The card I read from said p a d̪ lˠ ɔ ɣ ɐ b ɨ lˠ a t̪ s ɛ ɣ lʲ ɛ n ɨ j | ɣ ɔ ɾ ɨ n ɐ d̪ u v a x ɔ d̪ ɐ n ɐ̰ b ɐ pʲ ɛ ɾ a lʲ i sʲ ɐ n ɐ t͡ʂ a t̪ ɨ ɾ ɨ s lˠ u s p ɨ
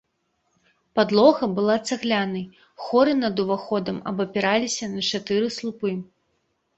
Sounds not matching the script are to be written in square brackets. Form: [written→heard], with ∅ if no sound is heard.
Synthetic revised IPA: p a d̪ lˠ ɔ ɣ ɐ b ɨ lˠ a t̪ s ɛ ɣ lʲ [ɛ→a] n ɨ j | [ɣ→x] ɔ ɾ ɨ n ɐ d̪ u v a x ɔ d̪ ɐ [n→m] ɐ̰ b ɐ pʲ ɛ ɾ a lʲ i sʲ ɐ n ɐ t͡ʂ a t̪ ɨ ɾ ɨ s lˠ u [s→∅] p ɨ